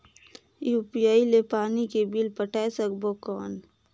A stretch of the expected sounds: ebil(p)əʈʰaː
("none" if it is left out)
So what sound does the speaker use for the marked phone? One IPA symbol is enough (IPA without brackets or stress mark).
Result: p